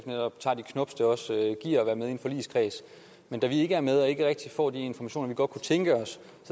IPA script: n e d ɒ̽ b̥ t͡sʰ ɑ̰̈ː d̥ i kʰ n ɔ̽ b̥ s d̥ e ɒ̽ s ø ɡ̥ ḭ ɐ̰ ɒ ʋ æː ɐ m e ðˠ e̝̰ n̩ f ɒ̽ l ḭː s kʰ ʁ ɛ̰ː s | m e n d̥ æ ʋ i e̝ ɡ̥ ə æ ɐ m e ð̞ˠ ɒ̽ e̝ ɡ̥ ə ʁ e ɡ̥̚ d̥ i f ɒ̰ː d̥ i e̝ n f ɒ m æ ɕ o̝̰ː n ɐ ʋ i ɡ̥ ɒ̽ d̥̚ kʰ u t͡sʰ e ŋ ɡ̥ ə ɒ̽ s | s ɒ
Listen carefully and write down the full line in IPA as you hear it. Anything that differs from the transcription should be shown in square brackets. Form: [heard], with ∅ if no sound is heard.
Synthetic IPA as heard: n e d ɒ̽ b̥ t͡sʰ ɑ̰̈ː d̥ i kʰ n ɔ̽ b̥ s d̥ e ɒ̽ s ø ɡ̥ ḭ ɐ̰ ɒ ʋ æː ɐ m e ðˠ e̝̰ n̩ f ɒ̽ l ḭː s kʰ ʁ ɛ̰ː s | m e n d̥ æ ʋ i e̝ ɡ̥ ə æ ɐ m e ð̞ˠ ɒ̽ e̝ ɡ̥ ə ʁ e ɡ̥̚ d̥ i f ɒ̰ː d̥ i e̝ n f ɒ m æ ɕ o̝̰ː n ɐ ʋ i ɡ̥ ɒ̽ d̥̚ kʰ u t͡sʰ e ŋ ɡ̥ ə ɒ̽ s | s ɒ